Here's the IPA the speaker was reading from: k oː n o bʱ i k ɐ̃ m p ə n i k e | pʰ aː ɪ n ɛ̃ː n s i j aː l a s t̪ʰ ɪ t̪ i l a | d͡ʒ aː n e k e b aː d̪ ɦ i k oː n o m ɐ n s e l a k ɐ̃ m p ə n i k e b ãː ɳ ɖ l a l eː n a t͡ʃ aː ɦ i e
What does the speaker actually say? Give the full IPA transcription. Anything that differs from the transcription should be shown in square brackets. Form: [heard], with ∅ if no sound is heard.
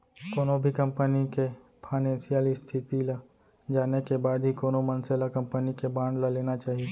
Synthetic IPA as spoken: k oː n o bʱ i k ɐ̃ m p ə n i k e | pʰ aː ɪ n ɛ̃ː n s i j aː l [i] s t̪ʰ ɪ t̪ i l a | d͡ʒ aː n e k e b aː d̪ ɦ i k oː n o m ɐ n s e l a k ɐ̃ m p ə n i k e b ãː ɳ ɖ l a l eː n a t͡ʃ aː ɦ i e